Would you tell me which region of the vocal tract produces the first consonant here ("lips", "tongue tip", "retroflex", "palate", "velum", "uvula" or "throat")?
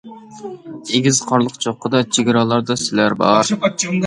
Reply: velum